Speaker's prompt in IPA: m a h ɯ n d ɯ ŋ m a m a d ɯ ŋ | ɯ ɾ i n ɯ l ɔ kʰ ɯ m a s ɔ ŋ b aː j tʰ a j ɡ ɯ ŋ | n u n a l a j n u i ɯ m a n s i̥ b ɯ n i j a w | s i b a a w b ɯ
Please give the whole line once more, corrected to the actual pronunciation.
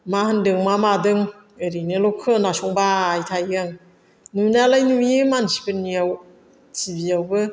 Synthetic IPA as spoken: m a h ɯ n d ɯ ŋ m a m a d ɯ ŋ | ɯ ɾ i n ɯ l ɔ kʰ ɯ n a s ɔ ŋ b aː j tʰ a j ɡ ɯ ŋ | n u n a l a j n u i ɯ m a n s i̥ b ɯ n i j a w | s i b i a w b ɯ